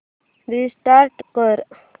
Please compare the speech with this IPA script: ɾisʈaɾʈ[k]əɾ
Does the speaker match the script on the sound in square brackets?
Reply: yes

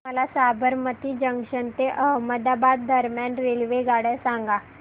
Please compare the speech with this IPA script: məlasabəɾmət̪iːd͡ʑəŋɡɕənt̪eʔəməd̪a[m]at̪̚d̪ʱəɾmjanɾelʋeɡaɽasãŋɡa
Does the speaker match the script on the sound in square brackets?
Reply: no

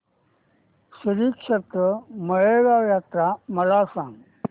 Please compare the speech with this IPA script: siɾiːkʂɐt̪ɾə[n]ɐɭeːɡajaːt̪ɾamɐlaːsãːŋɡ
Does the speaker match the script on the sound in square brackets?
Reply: no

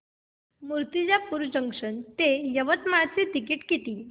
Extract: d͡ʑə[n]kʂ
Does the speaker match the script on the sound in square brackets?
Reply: no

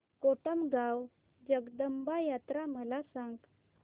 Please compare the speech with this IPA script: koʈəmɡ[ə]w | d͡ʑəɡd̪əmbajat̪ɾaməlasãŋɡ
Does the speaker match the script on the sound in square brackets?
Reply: no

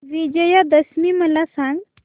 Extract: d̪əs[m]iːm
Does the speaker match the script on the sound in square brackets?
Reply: yes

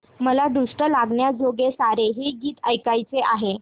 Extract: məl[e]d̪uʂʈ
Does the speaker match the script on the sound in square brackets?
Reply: no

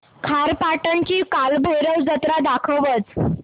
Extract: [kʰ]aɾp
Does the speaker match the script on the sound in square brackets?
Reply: yes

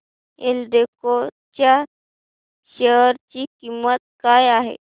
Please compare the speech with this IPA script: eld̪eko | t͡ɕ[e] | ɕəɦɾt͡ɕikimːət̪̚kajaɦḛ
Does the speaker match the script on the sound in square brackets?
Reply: no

